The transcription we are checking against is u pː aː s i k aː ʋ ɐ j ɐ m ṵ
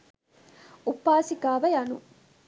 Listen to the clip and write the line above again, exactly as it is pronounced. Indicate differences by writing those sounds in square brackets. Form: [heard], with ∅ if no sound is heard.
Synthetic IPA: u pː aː s i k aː ʋ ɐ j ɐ [n] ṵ